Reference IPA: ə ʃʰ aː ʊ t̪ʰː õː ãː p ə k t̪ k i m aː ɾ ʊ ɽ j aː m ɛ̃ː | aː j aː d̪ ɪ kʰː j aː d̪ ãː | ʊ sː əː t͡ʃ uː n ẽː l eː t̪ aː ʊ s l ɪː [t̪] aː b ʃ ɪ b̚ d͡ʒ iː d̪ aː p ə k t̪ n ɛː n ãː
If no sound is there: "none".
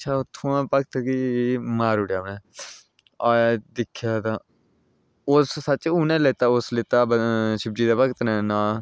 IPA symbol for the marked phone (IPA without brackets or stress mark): t̪